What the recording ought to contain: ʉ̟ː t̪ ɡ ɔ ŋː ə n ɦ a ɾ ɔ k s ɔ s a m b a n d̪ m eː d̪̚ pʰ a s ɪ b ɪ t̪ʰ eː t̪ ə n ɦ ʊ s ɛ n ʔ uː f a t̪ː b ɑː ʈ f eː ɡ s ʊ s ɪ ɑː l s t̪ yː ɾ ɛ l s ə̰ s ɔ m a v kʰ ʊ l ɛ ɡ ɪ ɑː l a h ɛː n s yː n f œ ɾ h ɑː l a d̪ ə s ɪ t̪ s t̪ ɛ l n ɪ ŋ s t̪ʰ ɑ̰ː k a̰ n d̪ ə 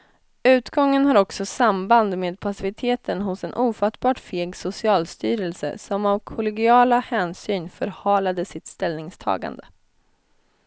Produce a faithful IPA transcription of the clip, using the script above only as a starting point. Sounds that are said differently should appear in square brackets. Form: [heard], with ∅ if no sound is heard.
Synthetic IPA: ʉ̟ː t̪ ɡ ɔ ŋː ə n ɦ a ɾ ɔ k s ɔ s a m b a n d̪ m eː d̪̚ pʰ a s ɪ [v] ɪ t̪ʰ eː t̪ ə n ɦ ʊ s ɛ n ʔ uː f a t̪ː b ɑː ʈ f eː ɡ s ʊ s ɪ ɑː l s t̪ yː ɾ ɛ l s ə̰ s ɔ m a v kʰ ʊ l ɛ ɡ ɪ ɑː l a h ɛː n s yː n f œ ɾ h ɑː l a d̪ ə s ɪ t̪ s t̪ ɛ l n ɪ ŋ s t̪ʰ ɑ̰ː [ɡ] a̰ n d̪ ə